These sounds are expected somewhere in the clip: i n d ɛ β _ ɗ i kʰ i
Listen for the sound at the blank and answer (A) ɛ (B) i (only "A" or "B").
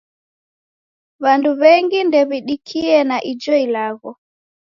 B